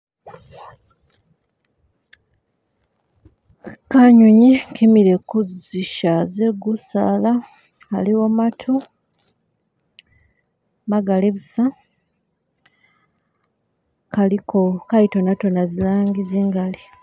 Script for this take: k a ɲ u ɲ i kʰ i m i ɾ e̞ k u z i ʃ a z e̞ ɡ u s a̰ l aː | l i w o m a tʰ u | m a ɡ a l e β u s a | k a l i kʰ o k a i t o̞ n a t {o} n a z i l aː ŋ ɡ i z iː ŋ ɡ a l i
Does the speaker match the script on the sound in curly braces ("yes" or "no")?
yes